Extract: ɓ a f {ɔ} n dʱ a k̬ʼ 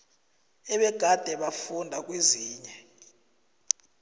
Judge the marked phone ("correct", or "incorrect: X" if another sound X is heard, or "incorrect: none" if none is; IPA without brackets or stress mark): incorrect: u